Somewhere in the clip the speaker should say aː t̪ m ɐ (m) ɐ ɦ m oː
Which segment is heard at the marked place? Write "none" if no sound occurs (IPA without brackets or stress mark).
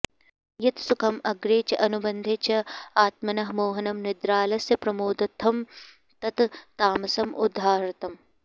n